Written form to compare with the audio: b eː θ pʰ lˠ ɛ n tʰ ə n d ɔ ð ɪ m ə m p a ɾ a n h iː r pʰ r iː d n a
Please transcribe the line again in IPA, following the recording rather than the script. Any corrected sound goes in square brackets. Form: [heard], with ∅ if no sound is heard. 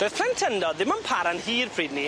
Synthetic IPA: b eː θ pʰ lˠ ɛ n tʰ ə n d ɔ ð ɪ m ə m [pʰ] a ɾ a n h iː r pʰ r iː d n [i]